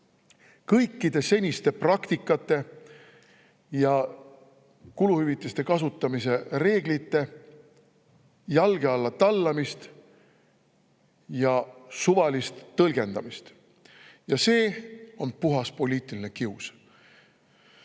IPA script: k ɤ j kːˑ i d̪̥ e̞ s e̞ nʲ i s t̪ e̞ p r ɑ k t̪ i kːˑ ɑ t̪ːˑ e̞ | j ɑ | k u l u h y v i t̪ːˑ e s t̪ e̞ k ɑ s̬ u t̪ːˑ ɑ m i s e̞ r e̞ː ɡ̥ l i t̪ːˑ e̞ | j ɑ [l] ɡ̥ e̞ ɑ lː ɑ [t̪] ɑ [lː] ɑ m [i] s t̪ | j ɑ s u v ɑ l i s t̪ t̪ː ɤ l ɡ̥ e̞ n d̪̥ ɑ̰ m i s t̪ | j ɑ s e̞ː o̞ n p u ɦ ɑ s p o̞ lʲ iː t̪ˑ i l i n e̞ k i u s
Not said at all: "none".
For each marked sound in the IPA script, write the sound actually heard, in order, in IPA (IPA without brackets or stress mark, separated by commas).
l, t̪, lː, i